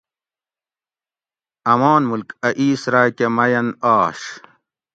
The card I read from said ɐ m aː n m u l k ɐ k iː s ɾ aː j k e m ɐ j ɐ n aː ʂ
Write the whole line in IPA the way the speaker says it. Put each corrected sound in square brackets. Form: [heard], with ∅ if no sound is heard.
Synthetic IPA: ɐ m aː n m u l k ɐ [ʔ] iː s ɾ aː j k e m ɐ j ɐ n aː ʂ